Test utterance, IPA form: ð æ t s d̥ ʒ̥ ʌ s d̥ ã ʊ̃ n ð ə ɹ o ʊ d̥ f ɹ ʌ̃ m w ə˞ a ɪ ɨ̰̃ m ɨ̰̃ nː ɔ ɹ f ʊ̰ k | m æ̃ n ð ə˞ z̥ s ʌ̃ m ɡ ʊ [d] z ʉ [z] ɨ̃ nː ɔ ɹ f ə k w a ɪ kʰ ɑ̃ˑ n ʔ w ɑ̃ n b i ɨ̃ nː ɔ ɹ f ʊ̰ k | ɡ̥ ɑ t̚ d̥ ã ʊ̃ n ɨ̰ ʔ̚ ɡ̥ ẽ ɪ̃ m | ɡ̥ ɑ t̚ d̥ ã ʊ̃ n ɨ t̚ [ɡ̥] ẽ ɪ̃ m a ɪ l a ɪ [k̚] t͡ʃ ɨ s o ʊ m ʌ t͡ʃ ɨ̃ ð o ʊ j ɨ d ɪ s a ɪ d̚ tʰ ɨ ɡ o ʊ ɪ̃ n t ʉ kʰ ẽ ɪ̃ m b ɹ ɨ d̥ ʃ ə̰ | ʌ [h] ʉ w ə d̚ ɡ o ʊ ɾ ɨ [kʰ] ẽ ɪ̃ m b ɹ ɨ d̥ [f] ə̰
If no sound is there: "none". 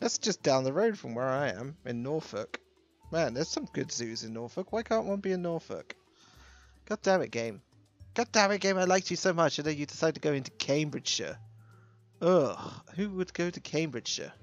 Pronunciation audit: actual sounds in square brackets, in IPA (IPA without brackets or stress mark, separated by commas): d, z, ɡ̥, k̚, h, kʰ, ʃ